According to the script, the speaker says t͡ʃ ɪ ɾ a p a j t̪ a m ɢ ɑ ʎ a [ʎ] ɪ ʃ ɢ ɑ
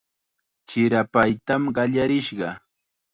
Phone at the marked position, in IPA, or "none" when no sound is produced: ɾ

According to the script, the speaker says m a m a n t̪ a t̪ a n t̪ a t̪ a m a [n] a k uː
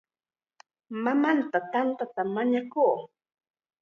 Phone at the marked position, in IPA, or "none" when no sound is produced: ɲ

